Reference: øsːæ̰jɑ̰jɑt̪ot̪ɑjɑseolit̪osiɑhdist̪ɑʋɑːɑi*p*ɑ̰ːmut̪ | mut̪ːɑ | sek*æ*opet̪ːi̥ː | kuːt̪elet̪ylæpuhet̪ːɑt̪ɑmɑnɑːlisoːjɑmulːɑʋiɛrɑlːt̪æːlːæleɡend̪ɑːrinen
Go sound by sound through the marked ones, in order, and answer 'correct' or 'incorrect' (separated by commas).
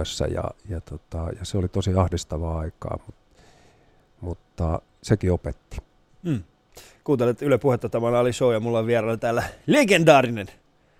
incorrect, incorrect